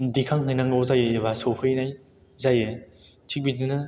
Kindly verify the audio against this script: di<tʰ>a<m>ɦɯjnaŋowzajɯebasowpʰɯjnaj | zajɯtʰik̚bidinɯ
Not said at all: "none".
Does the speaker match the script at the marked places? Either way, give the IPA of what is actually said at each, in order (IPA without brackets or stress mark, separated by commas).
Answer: kʰ, ŋ